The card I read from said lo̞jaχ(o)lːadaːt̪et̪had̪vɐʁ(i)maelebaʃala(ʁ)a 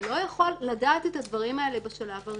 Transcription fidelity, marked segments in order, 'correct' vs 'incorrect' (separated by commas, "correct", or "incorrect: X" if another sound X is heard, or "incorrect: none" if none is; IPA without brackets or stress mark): correct, correct, incorrect: v